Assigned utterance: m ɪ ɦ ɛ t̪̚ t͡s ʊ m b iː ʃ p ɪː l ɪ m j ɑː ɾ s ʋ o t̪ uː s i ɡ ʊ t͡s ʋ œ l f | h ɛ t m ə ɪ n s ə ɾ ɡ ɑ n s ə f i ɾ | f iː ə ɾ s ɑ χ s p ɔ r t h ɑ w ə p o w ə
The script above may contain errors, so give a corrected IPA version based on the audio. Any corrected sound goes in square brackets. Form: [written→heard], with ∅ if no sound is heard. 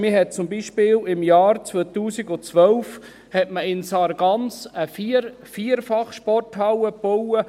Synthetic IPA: m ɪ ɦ ɛ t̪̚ t͡s ʊ m b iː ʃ p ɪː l ɪ m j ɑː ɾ [s→t͡s] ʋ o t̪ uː s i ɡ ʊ t͡s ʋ œ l f | h ɛ t m ə ɪ n s [ə→ɑ] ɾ ɡ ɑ n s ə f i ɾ | f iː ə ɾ [s→f] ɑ χ [s→ʃ] p ɔ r t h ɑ w ə p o w ə